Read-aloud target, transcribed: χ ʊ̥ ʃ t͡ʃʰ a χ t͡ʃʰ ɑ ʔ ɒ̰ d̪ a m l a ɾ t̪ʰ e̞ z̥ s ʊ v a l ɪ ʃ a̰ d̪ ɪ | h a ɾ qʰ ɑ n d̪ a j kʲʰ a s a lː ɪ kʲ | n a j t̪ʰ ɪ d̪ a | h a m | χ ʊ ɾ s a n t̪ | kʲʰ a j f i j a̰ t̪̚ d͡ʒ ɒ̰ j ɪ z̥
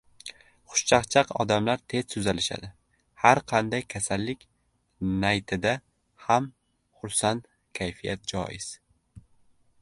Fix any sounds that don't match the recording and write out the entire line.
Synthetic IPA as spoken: χ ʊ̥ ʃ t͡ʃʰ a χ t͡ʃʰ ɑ q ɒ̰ d̪ a m l a ɾ t̪ʰ e̞ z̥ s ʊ z a l ɪ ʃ a̰ d̪ ɪ | h a ɾ qʰ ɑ n d̪ a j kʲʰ a s a lː ɪ kʲ | n a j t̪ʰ ɪ d̪ a | h a m | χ ʊ ɾ s a n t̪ | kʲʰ a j f i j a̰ t̪̚ d͡ʒ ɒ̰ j ɪ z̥